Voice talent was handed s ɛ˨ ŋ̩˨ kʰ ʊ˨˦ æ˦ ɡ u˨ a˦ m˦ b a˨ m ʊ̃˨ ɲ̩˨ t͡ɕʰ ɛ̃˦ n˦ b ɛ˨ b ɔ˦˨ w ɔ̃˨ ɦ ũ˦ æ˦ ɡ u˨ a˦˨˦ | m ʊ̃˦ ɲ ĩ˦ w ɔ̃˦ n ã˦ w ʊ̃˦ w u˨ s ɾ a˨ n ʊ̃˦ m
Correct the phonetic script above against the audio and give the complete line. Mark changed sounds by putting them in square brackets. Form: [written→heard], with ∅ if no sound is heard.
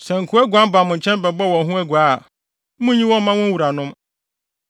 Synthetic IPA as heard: s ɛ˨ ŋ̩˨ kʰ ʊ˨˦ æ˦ ɡ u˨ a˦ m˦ b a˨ m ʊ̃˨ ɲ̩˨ t͡ɕʰ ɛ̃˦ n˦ b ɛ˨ b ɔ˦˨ w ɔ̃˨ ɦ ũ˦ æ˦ ɡ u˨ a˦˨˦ | m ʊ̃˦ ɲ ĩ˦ w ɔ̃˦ [n→m] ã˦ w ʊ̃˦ w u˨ [s→∅] ɾ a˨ n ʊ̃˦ m